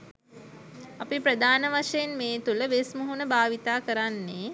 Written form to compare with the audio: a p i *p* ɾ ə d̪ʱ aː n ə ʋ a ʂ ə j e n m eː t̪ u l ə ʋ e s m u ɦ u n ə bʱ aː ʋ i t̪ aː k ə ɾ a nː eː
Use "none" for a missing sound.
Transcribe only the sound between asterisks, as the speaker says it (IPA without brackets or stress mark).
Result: p